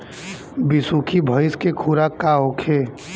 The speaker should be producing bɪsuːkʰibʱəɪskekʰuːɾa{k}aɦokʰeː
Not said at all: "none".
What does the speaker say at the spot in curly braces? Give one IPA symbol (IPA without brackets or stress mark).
k